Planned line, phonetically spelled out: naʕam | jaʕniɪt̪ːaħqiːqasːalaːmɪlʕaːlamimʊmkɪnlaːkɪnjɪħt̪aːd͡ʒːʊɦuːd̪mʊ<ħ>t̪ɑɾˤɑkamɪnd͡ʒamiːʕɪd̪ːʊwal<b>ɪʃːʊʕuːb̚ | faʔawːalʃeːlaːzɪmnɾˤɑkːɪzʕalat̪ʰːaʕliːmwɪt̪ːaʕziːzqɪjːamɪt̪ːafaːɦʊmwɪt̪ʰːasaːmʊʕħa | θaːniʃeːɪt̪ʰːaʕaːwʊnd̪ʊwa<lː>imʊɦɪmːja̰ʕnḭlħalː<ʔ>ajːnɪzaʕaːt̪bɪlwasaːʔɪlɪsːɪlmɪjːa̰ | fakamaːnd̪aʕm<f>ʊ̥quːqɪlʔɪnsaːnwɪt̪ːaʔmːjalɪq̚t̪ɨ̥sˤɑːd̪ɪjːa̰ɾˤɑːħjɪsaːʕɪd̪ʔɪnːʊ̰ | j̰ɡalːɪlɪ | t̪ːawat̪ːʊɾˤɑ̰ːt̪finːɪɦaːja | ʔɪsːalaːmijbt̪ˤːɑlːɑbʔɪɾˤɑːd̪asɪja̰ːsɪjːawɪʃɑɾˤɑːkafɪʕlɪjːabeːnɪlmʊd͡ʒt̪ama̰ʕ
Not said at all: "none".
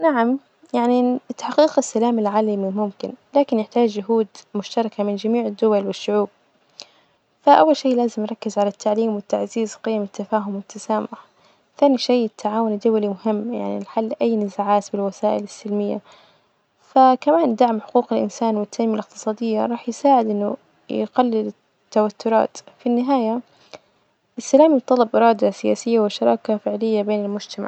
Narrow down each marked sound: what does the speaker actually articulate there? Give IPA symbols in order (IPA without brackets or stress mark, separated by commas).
ʃ, w, l, ʔ, ħ